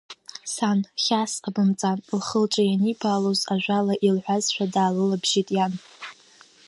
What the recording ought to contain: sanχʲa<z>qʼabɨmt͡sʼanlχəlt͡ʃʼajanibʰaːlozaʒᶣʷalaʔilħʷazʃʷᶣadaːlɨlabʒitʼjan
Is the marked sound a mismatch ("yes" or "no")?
yes